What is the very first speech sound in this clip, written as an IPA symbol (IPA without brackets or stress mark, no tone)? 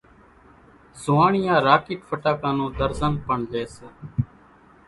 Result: z